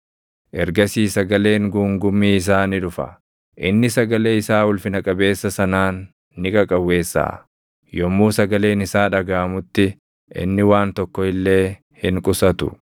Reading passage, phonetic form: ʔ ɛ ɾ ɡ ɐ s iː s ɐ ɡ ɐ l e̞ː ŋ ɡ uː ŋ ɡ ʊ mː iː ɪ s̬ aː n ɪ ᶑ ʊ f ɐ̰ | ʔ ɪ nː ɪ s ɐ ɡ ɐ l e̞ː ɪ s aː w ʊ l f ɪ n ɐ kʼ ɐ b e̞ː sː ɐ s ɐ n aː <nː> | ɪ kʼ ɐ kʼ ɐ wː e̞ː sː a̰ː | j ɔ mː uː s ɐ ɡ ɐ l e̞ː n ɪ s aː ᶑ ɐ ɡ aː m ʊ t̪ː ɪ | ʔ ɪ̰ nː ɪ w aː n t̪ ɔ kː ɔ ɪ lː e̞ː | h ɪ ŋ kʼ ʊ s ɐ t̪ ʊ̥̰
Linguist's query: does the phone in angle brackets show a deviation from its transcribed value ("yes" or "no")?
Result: no